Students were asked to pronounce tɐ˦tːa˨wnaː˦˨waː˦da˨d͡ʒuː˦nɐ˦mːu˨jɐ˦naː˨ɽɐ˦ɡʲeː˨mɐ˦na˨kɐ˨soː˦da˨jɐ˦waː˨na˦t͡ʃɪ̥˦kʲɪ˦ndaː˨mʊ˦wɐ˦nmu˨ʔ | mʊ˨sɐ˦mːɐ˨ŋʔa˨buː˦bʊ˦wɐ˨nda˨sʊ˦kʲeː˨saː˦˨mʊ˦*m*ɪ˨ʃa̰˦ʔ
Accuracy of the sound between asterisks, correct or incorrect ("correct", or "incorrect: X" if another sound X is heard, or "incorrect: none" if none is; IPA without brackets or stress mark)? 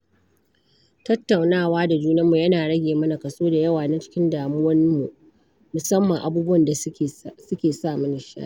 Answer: incorrect: n